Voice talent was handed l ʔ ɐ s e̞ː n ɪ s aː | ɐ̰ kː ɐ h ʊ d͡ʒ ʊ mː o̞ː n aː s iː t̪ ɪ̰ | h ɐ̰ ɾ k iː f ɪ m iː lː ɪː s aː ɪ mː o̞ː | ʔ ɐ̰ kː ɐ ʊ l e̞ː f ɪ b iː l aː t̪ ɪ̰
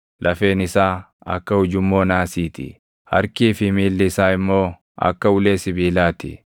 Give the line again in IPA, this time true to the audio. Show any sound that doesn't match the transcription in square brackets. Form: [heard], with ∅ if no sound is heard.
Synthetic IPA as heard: l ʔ ɐ [f] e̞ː n ɪ s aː | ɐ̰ kː ɐ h ʊ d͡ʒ ʊ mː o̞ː n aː s iː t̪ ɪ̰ | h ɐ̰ ɾ k iː f ɪ m iː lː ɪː s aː ɪ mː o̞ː | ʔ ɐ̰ kː ɐ ʊ l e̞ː [s] ɪ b iː l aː t̪ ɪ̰